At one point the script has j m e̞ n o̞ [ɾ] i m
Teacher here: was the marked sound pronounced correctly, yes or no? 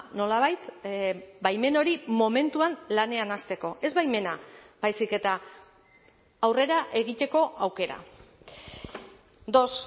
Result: yes